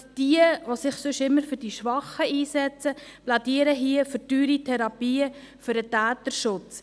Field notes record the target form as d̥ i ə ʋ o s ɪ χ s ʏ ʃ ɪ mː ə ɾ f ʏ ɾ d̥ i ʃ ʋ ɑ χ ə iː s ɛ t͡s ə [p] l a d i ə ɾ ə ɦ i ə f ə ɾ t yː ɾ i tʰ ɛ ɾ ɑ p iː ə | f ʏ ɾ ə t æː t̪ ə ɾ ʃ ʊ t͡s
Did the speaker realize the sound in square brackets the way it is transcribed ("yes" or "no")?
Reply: yes